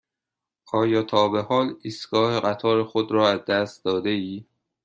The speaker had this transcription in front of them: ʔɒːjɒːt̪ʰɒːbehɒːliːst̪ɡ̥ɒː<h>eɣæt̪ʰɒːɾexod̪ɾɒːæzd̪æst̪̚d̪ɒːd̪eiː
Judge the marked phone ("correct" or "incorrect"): correct